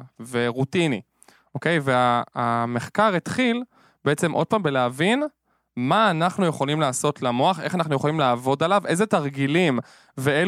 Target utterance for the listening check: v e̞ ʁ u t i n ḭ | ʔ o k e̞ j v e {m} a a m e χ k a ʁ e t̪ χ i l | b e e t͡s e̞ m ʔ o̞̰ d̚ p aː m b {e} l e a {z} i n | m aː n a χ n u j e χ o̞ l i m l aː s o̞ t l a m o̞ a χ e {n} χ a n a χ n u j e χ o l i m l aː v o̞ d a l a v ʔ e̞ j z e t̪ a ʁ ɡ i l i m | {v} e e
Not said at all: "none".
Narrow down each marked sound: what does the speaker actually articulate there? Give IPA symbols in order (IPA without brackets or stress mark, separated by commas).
none, e, v, none, v